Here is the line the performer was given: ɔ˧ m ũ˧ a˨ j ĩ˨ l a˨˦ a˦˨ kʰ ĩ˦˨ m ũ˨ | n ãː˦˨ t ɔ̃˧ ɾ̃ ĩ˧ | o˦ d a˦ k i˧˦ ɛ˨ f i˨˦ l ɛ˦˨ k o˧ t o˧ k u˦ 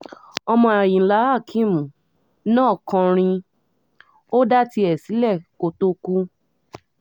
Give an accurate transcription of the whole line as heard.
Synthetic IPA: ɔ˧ m ɔ̃˧ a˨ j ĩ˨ l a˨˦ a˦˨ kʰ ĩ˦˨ m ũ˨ | n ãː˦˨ k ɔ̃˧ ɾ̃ ĩ˧ | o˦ d a˦ t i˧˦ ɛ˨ s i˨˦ l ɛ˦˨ k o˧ t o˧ k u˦